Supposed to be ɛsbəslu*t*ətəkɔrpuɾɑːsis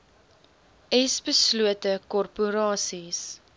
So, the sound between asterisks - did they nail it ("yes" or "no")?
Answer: no